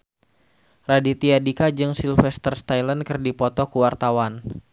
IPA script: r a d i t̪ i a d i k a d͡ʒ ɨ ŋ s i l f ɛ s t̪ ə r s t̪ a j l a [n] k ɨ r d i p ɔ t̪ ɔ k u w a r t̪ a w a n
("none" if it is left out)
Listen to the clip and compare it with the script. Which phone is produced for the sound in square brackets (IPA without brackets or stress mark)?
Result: n